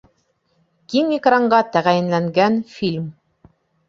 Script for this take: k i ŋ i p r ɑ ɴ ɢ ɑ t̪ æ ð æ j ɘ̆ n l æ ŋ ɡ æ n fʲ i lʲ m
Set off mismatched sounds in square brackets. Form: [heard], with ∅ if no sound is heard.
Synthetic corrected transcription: k i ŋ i [k] r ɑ ɴ ɢ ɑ t̪ æ [ʁ] æ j ɘ̆ n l æ ŋ ɡ æ n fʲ i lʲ m